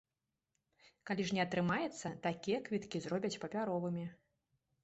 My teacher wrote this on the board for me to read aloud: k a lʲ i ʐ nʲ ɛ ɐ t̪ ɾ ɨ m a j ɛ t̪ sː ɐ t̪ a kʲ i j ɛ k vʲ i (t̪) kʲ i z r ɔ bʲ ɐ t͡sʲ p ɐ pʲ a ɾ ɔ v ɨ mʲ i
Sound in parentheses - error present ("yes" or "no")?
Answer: no